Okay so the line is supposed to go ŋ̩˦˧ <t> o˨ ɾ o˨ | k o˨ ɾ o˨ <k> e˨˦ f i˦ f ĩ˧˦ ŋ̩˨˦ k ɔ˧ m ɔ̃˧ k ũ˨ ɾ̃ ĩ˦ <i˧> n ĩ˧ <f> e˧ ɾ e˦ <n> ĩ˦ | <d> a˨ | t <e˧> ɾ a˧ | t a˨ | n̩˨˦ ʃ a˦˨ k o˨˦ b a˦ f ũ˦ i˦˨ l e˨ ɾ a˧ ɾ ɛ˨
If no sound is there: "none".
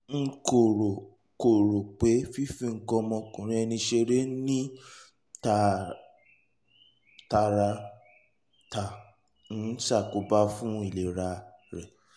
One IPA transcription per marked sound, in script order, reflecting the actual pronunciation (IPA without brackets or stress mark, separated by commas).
k, k͡p, ɛ˧, ʃ, n, t, a˧